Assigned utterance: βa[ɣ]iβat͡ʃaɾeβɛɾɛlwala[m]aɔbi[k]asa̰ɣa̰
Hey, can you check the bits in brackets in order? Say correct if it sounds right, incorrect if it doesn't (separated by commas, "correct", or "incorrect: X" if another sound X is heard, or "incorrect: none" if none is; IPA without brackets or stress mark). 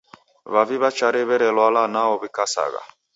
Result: incorrect: v, incorrect: n, correct